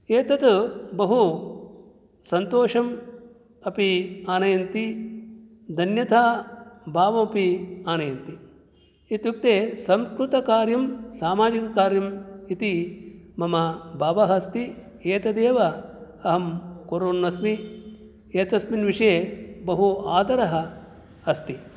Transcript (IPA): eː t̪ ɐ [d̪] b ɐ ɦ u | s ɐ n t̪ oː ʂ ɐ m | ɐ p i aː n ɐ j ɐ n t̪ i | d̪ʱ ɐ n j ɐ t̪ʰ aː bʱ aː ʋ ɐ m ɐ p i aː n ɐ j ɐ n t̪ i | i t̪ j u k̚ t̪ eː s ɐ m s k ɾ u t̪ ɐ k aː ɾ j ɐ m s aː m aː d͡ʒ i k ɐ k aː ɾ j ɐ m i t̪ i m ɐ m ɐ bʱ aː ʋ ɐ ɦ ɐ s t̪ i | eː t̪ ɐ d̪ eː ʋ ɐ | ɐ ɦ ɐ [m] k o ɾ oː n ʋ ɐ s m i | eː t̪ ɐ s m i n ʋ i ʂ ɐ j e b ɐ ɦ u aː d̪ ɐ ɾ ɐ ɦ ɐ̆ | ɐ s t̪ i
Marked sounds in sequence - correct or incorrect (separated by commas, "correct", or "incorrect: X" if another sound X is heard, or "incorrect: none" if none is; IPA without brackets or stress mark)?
incorrect: t̪, correct